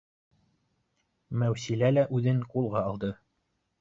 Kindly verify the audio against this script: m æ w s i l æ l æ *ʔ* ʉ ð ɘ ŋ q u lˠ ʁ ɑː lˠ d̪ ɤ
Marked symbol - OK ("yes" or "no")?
yes